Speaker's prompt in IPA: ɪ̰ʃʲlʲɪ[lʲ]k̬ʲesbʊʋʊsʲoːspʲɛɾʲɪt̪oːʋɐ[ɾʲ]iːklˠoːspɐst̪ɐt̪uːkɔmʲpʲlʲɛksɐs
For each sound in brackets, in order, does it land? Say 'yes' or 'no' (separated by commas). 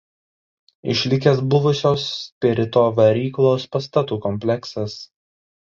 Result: no, yes